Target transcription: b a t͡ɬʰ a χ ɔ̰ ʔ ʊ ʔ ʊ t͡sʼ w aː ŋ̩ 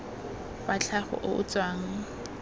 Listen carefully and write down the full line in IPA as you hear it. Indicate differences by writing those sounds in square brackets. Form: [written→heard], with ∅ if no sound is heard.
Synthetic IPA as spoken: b a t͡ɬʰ a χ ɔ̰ ʔ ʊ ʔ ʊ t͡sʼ w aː ŋ̩